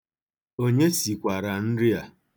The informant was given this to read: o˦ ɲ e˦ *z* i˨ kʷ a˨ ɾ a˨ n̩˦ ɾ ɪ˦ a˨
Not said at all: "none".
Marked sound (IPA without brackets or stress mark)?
s